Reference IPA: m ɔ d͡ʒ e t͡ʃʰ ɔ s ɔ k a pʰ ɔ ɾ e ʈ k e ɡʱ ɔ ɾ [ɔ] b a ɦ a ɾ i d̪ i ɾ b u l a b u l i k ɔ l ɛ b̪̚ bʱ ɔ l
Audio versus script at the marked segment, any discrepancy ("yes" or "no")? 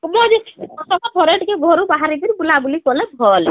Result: yes